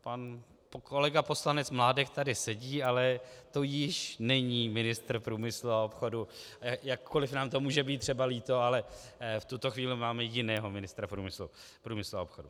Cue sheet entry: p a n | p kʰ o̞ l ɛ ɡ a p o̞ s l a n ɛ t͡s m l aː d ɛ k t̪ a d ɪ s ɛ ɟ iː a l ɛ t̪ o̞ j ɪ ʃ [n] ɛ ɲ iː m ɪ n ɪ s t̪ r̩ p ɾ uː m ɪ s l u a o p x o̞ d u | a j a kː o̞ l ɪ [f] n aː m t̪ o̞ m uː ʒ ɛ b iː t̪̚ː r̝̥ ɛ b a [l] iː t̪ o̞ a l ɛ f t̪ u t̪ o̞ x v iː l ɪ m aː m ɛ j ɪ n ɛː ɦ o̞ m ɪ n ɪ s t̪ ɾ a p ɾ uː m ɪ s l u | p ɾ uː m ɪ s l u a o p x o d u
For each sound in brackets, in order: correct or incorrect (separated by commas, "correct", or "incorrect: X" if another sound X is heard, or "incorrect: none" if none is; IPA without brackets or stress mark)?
correct, correct, correct